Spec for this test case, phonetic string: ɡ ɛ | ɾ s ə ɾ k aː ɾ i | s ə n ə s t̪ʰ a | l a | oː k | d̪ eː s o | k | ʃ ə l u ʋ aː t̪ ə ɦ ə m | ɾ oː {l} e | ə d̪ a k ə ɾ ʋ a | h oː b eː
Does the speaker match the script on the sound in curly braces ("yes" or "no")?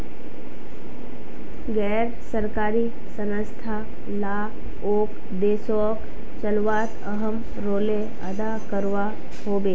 yes